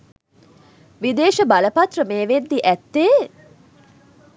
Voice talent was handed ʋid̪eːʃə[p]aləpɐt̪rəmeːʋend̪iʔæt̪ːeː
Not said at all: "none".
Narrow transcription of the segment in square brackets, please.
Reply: b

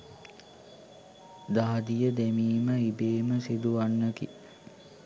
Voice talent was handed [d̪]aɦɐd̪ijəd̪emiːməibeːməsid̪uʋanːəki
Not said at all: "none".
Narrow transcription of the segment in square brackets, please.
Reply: d̪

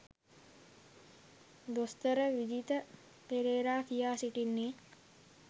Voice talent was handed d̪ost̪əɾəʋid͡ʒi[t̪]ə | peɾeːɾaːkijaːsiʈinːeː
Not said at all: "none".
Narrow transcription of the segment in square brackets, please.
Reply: t̪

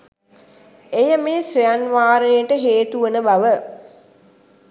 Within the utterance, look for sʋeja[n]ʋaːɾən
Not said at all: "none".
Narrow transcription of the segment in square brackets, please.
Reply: n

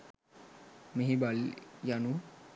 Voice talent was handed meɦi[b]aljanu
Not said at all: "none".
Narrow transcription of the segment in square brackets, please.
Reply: b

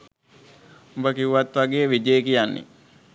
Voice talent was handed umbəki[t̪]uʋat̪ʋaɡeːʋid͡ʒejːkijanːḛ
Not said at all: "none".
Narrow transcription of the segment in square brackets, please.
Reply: none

